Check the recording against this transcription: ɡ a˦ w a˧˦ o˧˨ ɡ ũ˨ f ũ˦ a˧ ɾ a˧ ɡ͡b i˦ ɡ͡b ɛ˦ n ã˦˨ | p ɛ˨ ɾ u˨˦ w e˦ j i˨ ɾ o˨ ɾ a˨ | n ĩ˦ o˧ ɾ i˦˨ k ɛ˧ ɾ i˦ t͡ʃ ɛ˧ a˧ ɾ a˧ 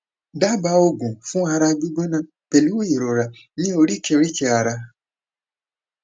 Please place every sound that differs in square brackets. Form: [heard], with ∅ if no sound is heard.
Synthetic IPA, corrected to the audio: [d] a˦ [b] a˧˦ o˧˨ ɡ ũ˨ f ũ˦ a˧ ɾ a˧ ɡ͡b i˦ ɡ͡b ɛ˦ n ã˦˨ | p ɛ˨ [l] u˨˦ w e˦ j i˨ ɾ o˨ ɾ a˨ | n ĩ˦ o˧ ɾ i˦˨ k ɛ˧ ɾ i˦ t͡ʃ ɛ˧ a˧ ɾ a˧